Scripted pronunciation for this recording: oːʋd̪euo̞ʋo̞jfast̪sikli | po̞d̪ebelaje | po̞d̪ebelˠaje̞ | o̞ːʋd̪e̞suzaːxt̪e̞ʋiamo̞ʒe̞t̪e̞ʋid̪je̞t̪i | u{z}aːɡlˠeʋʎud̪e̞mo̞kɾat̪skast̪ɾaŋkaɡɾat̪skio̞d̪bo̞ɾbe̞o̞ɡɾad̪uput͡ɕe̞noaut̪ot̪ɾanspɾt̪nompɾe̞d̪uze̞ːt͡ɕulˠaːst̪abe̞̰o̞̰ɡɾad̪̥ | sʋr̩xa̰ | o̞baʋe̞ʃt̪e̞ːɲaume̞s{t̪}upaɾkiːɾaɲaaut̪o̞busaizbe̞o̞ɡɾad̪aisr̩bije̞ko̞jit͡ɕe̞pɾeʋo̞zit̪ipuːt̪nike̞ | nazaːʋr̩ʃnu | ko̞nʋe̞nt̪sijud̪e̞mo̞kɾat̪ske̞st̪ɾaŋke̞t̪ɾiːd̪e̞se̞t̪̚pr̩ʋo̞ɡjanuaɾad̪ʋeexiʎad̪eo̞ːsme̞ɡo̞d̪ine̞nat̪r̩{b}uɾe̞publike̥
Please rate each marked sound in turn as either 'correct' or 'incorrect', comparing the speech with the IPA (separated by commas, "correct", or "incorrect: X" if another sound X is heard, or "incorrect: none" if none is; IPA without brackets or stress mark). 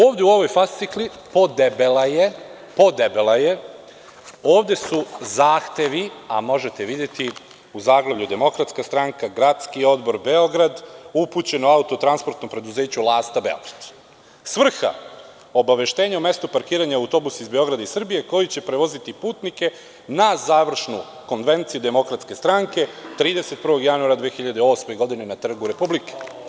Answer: correct, correct, incorrect: ɡ